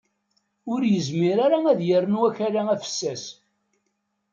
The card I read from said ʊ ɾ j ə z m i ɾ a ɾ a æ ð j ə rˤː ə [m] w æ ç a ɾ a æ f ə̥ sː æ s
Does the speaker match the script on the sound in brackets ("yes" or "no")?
no